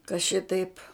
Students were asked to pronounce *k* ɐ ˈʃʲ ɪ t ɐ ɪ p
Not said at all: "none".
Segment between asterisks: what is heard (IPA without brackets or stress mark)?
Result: k